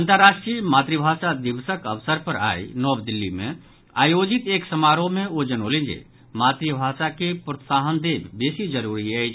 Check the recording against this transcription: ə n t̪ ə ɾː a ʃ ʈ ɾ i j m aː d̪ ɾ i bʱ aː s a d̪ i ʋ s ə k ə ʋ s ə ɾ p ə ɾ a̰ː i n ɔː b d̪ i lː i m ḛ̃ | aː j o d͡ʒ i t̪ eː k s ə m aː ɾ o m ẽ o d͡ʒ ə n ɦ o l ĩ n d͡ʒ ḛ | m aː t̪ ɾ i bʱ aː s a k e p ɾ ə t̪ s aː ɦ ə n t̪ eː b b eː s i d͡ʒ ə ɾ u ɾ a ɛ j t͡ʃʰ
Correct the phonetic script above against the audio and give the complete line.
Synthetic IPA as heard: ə n t̪ ə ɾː a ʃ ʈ ɾ i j m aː t̪ ɾ i bʱ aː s a d̪ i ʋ s ə k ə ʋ s ə ɾ p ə ɾ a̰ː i n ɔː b d̪ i lː i m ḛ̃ | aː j o d͡ʒ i t̪ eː k s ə m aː ɾ o m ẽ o d͡ʒ ə n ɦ o l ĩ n d͡ʒ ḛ | m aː t̪ ɾ i bʱ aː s a k e p ɾ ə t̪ s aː ɦ ə n d̪ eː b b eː s i d͡ʒ ə ɾ u ɾ i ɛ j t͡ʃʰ